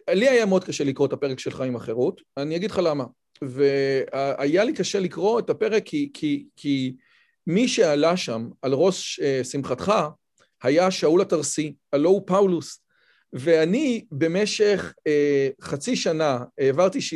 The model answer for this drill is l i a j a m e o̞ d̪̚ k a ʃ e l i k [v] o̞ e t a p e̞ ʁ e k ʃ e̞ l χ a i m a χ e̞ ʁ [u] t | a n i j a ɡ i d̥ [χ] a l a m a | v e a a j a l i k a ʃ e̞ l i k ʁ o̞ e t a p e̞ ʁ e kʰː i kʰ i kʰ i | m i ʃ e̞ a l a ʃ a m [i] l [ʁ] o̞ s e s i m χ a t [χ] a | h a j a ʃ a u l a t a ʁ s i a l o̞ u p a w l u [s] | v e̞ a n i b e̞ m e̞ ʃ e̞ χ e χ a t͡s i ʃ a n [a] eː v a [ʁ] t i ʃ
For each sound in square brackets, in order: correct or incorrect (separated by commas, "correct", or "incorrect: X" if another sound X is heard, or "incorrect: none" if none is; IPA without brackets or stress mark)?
incorrect: ʁ, correct, correct, incorrect: a, correct, correct, correct, correct, correct